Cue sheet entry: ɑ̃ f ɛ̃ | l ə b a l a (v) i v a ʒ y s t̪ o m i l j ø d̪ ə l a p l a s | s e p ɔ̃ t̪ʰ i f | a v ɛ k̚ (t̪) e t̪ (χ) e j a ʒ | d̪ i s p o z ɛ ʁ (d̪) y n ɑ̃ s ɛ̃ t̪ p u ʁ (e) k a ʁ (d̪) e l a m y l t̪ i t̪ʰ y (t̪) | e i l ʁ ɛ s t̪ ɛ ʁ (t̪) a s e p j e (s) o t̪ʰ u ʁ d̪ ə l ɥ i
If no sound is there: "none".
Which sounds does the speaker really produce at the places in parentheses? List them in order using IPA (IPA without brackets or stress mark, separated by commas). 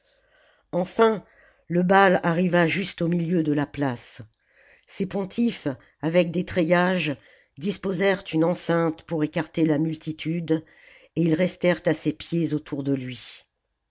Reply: ʁ, d̪, χ, t̪, e, t̪, d̪, t̪, z